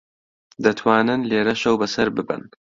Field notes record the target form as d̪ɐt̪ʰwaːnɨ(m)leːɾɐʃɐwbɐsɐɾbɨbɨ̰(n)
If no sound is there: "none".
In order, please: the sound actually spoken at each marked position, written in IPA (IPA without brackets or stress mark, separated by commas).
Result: n, n